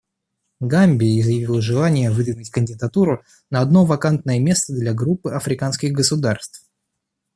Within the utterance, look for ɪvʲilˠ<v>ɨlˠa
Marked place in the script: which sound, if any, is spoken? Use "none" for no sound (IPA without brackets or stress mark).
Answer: ʐ